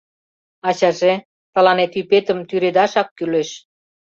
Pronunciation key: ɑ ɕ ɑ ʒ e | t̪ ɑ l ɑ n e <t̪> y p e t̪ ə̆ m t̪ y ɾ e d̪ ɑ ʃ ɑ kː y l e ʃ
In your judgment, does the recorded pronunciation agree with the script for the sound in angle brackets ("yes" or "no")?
yes